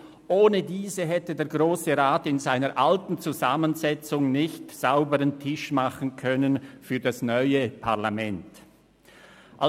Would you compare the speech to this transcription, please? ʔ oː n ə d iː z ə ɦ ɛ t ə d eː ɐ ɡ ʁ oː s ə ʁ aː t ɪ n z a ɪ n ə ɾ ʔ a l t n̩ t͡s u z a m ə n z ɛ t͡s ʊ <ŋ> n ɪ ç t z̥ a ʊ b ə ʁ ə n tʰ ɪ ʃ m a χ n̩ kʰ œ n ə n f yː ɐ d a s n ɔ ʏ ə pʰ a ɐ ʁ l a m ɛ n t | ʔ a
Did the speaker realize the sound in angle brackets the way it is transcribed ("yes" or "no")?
yes